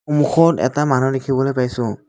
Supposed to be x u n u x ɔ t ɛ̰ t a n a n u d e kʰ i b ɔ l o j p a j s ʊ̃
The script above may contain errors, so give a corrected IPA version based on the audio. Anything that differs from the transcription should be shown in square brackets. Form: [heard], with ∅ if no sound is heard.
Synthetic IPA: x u [m] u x ɔ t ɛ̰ t a [m] a n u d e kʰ i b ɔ l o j p a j s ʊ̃